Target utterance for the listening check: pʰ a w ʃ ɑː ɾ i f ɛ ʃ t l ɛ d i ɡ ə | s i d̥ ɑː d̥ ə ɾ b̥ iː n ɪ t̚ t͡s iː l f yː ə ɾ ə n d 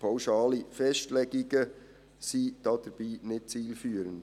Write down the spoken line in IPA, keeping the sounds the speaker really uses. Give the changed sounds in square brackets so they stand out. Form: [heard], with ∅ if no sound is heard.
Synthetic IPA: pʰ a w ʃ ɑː [l] i f ɛ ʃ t l ɛ [ɡ] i ɡ ə | s i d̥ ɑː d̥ ə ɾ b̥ iː n ɪ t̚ t͡s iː l f yː ə ɾ ə n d